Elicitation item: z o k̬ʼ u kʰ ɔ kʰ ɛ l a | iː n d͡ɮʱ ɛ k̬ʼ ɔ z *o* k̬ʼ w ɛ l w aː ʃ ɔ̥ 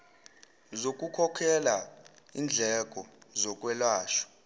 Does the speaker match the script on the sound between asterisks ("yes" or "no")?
no